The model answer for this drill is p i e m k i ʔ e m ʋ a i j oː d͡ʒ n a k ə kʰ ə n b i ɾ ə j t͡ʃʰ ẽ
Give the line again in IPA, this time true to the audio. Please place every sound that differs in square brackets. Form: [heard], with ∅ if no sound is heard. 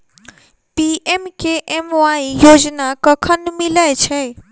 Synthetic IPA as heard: p i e m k [e] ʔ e m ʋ a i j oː d͡ʒ n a k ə kʰ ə n [m] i [l] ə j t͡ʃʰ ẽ